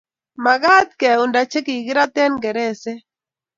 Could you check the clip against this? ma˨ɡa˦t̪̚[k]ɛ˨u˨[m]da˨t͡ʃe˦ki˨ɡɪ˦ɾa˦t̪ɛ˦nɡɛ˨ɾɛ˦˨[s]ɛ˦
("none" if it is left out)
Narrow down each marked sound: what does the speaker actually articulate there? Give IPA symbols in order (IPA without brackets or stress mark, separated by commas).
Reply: k, n, s